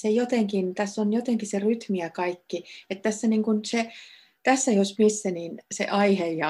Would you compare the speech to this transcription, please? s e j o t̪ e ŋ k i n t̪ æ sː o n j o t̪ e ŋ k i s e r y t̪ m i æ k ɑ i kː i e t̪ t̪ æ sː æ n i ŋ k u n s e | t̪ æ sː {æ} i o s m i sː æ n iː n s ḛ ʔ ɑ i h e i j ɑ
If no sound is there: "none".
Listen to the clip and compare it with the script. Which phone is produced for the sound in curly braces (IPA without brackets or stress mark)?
æ